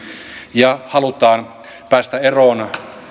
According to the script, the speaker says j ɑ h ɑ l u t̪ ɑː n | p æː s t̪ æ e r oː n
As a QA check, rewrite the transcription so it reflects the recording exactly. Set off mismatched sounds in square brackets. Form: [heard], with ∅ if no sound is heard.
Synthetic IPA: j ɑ h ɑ l u t̪ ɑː n | p æː s t̪ æ e r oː n